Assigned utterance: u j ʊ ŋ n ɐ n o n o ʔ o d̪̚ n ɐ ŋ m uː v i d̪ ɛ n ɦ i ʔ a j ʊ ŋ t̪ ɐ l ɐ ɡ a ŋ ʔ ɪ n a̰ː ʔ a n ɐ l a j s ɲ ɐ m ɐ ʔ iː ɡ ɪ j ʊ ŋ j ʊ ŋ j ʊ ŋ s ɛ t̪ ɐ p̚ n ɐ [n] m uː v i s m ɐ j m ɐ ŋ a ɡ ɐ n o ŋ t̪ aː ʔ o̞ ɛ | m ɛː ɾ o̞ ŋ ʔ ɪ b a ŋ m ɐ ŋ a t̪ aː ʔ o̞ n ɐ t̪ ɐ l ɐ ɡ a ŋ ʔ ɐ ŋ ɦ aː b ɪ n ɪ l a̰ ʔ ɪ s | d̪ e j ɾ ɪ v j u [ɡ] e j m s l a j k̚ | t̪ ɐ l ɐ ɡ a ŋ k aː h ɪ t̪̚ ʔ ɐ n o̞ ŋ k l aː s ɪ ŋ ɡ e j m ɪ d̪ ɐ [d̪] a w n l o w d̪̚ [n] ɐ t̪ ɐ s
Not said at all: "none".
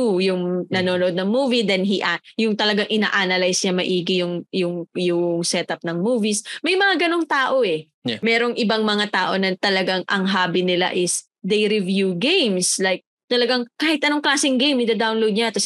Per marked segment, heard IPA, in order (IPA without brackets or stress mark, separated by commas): ŋ, ɡ, d̪, ɲ